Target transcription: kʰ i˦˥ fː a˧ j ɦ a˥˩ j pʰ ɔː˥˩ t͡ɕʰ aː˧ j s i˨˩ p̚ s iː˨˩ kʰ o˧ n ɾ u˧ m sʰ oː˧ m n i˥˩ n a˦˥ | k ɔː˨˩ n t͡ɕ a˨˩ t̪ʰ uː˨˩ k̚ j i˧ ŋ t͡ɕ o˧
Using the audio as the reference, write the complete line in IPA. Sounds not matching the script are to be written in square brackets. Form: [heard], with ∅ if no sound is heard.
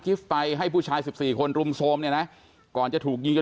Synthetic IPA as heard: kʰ i˦˥ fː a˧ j ɦ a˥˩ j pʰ [uː˥˩] t͡ɕʰ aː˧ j s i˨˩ p̚ s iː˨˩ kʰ o˧ n ɾ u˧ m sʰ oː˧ m n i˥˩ n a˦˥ | k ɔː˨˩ n t͡ɕ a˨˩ t̪ʰ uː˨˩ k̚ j i˧ ŋ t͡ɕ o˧